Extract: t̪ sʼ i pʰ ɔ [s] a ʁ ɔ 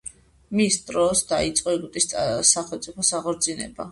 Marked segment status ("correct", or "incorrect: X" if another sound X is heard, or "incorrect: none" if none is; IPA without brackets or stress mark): correct